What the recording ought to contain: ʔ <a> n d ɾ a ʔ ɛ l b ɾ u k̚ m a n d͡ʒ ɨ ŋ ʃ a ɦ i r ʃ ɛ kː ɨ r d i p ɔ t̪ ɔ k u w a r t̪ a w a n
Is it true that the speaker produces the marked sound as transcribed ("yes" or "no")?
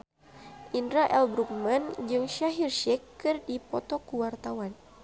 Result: no